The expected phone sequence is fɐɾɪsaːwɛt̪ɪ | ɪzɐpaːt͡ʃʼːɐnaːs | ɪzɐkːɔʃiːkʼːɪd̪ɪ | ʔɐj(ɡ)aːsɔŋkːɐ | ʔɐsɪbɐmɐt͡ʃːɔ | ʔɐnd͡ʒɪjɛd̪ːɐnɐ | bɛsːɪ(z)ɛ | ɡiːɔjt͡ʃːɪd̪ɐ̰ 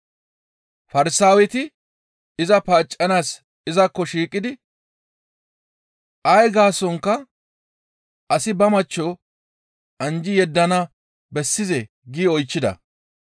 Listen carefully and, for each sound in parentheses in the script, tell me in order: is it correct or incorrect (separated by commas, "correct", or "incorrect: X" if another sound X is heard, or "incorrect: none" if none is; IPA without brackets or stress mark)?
correct, correct